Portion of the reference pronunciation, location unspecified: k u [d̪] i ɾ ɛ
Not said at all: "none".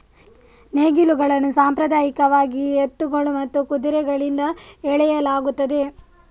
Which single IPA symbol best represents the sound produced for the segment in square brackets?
d̪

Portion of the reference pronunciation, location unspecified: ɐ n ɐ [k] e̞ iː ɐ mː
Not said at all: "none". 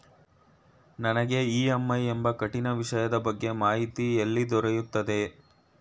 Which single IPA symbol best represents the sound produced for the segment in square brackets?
ɡ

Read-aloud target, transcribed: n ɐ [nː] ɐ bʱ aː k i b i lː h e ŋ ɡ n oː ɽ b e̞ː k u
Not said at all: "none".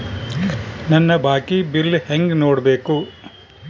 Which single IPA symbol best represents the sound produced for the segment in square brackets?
nː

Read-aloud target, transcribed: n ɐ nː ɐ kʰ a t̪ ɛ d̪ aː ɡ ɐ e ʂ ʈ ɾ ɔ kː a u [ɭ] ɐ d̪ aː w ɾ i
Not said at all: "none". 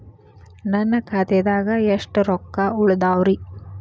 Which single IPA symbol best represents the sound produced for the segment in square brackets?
ɭ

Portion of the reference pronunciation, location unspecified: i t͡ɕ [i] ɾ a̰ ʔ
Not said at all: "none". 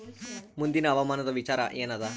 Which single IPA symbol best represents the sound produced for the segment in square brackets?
a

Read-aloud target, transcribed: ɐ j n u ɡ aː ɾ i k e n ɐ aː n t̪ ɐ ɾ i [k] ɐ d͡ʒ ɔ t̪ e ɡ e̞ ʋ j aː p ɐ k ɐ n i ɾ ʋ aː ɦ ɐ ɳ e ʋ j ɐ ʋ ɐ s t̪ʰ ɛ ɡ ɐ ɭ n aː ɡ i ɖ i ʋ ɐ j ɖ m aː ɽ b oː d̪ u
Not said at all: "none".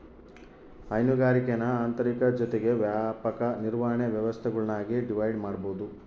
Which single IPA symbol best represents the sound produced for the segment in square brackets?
k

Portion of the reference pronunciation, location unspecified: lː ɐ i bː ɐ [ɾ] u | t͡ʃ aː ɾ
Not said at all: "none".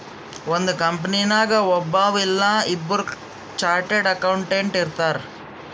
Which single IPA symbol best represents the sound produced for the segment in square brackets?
ɾ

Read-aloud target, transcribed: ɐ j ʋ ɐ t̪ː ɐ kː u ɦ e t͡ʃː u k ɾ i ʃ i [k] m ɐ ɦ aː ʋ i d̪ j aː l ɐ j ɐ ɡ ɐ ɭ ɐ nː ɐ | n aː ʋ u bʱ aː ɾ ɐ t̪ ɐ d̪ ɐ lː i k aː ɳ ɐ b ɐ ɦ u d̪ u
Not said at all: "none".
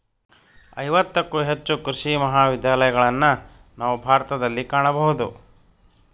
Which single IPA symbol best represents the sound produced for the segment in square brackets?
none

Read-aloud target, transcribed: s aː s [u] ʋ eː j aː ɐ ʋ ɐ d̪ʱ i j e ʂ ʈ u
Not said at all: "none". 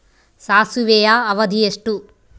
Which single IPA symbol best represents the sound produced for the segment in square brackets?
u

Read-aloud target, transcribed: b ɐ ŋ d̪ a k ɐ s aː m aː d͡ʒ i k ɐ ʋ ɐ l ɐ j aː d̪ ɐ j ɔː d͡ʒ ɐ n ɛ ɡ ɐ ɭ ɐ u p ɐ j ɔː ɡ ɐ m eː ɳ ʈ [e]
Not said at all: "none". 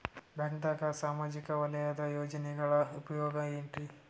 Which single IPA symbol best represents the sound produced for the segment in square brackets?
i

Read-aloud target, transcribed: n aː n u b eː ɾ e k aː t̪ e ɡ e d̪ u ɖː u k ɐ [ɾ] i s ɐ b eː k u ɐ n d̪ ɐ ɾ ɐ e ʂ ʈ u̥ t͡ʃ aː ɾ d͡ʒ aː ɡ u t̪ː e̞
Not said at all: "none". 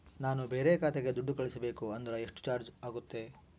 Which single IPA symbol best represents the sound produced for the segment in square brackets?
ɭ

